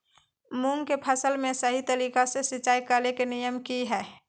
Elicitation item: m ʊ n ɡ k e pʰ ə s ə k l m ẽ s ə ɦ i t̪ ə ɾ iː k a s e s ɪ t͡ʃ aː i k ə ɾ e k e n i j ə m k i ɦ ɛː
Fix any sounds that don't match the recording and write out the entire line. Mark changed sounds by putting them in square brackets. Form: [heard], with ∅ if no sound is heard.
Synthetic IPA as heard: m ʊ [ŋ] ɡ k e pʰ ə s ə [∅] l m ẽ s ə ɦ i t̪ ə ɾ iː k a s e s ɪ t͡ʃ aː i k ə [l] e k e n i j ə m k i ɦ ɛː